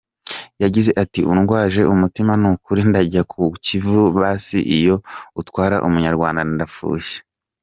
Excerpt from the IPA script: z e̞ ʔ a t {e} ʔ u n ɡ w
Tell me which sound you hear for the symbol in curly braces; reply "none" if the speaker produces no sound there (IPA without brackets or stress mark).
i